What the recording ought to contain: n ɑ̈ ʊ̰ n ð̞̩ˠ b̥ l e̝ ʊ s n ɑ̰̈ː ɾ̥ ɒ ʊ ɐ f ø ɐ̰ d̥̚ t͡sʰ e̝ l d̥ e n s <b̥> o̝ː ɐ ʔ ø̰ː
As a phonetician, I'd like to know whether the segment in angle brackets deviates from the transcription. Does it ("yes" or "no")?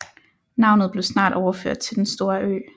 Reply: yes